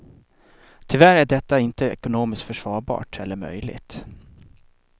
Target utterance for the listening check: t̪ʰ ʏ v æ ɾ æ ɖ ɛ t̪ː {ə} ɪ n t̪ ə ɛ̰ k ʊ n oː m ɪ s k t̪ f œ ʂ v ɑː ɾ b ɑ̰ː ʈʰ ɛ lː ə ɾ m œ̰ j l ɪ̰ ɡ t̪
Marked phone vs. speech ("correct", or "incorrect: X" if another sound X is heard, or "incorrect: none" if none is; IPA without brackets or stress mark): incorrect: a